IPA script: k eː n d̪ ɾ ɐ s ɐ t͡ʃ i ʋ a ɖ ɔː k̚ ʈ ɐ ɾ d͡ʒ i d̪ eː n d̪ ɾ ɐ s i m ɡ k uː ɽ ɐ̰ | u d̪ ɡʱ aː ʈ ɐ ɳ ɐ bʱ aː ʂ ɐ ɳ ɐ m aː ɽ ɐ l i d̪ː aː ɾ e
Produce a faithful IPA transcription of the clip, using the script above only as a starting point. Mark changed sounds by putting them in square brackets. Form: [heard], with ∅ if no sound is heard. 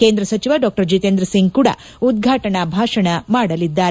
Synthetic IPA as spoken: k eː n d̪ ɾ ɐ s ɐ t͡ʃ i ʋ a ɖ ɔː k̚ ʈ ɐ ɾ d͡ʒ i [t̪] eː n d̪ ɾ ɐ s i [ŋ] ɡ k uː ɽ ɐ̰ | u d̪ ɡʱ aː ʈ ɐ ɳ ɐ bʱ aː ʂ ɐ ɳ ɐ m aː ɽ ɐ l i d̪ː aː ɾ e